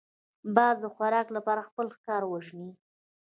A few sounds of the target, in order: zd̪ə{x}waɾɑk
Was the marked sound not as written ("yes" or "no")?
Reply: no